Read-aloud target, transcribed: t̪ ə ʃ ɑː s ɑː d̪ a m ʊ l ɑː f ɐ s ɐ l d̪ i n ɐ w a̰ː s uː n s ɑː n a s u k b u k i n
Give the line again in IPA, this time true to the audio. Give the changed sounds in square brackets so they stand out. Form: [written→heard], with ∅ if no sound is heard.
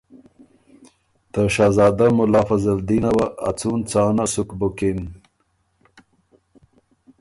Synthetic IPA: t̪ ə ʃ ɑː [s→z] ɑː d̪ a m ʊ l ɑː f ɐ [s→z] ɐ l d̪ i n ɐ w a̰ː [s→t͡s] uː n [s→t͡s] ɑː n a s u k b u k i n